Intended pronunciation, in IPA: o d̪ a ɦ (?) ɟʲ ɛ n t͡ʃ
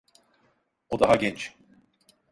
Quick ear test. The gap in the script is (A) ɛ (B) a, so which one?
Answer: B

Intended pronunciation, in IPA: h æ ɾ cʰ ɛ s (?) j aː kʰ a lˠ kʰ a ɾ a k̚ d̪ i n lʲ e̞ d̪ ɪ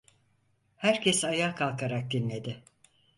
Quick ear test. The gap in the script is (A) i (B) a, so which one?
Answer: B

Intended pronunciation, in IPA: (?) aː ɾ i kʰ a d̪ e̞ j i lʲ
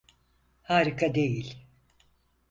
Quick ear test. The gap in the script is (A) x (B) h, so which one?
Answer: B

